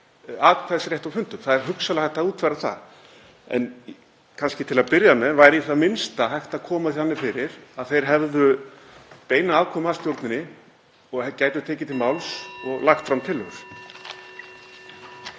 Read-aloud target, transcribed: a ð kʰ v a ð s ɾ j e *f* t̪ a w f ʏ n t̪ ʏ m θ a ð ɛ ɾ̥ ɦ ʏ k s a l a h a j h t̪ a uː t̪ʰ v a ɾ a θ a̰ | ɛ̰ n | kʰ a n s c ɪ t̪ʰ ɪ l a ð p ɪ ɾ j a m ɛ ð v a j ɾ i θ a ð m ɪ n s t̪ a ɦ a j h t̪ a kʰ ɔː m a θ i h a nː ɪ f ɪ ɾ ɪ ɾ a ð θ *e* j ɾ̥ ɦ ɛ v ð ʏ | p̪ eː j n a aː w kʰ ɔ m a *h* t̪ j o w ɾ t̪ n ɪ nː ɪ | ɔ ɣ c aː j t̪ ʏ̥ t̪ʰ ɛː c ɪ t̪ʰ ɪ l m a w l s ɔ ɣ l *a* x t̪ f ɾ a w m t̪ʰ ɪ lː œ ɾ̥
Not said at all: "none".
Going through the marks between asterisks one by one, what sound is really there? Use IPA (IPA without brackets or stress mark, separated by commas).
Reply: h, e, s, a